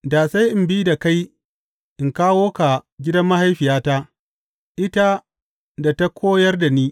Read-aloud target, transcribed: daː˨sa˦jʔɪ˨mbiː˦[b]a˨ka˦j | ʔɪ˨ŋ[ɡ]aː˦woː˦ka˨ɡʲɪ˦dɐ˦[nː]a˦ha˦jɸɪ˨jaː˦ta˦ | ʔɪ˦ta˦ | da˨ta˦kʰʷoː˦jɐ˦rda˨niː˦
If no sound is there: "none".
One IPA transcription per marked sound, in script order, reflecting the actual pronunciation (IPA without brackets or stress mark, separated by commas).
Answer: d, k, mː